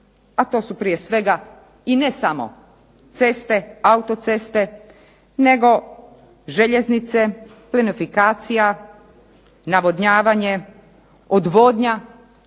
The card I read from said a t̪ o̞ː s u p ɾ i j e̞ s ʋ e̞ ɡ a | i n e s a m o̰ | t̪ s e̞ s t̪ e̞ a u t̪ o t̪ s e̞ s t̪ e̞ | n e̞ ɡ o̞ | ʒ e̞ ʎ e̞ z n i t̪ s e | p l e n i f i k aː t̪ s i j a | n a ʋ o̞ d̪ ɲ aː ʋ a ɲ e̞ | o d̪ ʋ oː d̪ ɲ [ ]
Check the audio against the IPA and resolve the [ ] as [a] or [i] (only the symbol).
a